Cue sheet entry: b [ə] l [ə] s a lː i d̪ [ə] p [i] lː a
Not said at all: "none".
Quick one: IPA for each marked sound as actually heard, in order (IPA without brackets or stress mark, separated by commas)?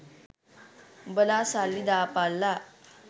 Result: ə, a, a, a